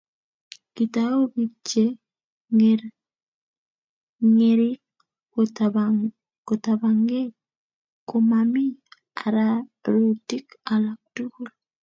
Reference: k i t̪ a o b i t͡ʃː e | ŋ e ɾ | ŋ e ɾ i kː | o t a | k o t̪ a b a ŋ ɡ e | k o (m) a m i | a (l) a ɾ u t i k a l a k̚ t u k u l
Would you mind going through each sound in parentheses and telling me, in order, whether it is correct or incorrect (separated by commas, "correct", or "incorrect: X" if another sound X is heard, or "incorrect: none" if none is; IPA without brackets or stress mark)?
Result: correct, incorrect: ɾ